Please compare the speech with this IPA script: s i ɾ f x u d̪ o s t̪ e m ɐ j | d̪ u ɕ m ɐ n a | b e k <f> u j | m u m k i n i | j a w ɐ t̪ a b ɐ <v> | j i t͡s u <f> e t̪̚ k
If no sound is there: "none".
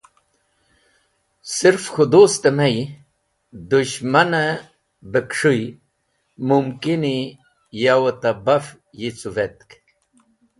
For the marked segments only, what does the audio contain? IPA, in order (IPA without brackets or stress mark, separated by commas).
ʂ, f, v